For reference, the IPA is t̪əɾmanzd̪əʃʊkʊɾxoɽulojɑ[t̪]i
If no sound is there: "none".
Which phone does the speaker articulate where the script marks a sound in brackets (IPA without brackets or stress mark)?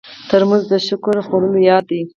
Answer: d̪